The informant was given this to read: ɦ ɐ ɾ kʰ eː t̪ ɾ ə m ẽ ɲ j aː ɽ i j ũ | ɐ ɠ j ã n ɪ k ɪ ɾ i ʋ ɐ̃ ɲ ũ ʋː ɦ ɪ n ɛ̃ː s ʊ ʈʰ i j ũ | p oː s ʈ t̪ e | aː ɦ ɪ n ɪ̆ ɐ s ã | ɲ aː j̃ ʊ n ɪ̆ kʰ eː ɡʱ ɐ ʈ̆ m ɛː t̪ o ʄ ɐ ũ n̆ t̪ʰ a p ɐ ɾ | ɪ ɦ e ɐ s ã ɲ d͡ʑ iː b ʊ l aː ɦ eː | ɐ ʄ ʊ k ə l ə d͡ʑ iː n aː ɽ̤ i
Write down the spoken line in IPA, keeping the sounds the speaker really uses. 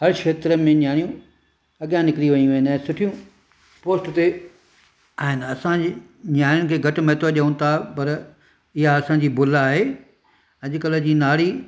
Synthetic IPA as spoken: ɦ ɐ ɾ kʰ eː t̪ ɾ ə m ẽ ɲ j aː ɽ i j ũ | ɐ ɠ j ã n ɪ k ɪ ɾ i ʋ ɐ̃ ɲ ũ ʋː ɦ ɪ n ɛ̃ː s ʊ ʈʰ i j ũ | p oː s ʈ t̪ e | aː ɦ ɪ n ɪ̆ ɐ s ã | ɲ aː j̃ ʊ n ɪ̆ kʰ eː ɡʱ ɐ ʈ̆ m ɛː t̪ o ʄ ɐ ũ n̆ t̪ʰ a p ɐ ɾ | ɪ ɦ a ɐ s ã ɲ d͡ʑ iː b ʊ l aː ɦ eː | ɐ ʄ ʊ k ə l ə d͡ʑ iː n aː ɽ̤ i